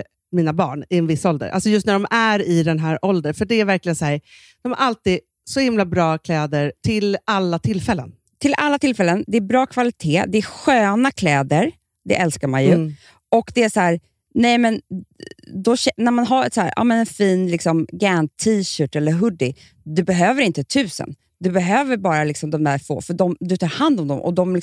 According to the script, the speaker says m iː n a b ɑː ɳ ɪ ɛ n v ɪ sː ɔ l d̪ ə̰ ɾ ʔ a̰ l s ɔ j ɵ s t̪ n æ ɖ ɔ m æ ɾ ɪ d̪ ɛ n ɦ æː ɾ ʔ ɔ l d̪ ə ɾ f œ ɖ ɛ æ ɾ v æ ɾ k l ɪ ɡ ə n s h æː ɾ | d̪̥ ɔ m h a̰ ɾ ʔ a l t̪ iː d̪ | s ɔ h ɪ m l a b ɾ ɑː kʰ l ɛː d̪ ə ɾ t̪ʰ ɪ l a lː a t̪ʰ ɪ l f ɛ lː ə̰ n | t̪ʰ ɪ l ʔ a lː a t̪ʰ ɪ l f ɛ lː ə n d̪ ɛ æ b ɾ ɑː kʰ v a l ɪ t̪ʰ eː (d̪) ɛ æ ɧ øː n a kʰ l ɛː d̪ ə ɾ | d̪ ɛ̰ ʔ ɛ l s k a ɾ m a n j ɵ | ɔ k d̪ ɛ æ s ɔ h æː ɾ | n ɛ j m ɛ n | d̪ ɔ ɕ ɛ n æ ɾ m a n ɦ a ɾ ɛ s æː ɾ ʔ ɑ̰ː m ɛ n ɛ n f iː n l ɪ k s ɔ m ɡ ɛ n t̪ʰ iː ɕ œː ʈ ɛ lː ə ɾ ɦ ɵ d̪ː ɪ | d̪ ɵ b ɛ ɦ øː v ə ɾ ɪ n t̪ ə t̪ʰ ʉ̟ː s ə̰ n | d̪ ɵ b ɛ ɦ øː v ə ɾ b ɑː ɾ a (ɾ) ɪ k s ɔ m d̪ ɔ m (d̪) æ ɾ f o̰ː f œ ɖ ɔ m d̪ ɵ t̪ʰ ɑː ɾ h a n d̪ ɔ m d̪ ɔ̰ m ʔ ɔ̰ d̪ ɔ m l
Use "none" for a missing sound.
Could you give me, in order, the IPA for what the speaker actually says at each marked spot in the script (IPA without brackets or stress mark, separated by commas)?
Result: d̪, l, d̪